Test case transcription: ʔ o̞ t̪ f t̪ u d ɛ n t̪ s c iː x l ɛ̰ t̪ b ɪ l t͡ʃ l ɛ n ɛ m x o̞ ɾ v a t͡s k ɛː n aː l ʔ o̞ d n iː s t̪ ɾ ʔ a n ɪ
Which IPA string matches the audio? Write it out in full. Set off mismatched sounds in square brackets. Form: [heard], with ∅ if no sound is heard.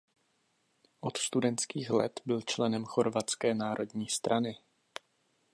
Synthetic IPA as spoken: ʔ o̞ t̪ [s] t̪ u d ɛ n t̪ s [k] iː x l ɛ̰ t̪ b ɪ l t͡ʃ l ɛ n ɛ m x o̞ ɾ v a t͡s k ɛː n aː [ɾ] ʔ o̞ d [ɲ] iː s t̪ ɾ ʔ a n ɪ